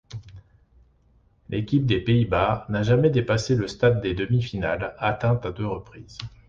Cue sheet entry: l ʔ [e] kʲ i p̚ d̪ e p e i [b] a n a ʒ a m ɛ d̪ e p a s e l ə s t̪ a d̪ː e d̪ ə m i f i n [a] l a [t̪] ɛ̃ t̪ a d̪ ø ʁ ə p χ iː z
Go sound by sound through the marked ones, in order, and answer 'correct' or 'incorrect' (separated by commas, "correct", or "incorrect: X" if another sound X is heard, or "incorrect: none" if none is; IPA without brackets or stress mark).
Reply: correct, correct, correct, correct